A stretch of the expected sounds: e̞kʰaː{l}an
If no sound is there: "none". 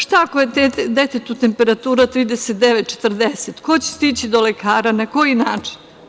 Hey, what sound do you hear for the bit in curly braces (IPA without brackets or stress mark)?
ɾ